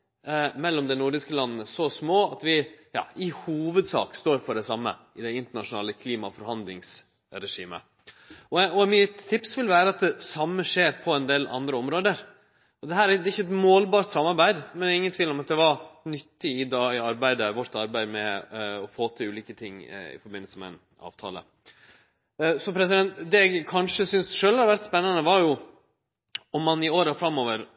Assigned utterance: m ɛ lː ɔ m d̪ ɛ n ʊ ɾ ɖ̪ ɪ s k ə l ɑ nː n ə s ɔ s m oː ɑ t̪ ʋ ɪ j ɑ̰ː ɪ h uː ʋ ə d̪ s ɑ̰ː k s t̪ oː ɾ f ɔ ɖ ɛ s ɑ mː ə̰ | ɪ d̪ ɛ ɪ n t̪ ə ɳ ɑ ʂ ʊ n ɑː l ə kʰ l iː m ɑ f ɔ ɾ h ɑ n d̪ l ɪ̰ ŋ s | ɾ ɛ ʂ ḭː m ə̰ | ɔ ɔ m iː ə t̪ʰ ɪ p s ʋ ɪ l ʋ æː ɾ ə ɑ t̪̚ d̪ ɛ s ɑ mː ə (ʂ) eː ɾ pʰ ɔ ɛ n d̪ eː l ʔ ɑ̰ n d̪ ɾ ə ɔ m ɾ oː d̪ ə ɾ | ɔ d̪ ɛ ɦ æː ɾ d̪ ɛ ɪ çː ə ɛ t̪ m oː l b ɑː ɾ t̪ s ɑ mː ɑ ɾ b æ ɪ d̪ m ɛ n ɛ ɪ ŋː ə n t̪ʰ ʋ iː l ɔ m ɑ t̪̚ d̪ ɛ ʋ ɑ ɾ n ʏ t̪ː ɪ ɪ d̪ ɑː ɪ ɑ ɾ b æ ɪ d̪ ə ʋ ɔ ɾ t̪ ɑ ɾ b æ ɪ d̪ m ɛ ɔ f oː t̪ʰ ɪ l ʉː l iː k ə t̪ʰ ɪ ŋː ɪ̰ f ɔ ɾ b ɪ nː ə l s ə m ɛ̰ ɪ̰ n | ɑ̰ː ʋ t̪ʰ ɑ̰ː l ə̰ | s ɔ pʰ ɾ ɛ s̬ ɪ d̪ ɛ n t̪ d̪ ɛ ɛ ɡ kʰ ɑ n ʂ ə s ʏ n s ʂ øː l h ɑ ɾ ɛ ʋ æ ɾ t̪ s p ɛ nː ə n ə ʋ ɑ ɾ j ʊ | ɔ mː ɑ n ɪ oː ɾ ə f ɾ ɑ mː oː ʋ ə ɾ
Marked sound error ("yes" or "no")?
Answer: no